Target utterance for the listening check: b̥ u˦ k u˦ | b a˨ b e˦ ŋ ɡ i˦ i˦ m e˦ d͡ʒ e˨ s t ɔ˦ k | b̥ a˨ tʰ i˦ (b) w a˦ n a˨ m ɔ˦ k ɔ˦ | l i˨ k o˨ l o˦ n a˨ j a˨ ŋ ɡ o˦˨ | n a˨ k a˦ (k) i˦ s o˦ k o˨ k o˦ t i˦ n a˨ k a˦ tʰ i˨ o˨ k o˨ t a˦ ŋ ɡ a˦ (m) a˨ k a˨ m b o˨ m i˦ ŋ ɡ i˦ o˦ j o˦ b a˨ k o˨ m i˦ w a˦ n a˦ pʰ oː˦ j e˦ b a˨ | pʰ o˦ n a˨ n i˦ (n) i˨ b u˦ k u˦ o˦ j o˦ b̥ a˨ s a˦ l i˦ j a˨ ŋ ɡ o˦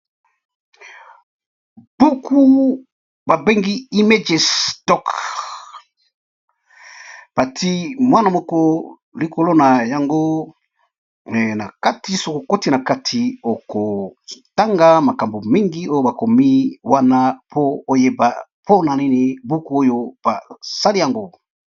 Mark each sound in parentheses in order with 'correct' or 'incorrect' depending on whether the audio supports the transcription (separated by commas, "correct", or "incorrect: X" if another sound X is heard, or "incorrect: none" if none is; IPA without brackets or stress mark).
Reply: incorrect: m, incorrect: t, correct, correct